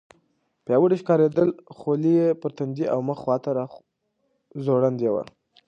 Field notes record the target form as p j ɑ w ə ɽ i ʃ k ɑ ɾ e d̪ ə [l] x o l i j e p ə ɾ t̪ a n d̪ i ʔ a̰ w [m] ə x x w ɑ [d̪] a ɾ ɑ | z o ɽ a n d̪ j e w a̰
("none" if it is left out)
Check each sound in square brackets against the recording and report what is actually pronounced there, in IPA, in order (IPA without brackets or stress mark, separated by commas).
l, m, t̪